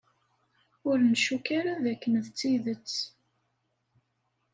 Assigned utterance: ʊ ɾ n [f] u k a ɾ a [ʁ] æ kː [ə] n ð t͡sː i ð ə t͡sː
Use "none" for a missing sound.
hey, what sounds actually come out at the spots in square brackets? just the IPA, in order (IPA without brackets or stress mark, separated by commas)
ʃ, ð, ə